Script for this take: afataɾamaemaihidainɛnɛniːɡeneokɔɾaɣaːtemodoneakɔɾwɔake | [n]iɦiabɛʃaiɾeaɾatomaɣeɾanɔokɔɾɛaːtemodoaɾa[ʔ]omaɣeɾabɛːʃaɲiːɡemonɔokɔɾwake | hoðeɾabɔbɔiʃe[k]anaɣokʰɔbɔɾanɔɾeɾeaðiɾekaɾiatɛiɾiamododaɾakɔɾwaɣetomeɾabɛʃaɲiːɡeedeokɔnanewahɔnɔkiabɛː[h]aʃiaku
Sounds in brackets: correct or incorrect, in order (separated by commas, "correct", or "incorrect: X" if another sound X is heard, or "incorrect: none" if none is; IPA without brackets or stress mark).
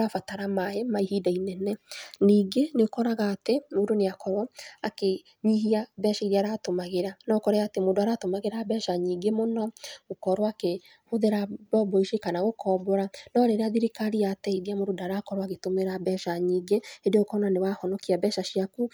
incorrect: ɲ, incorrect: t, correct, incorrect: ʃ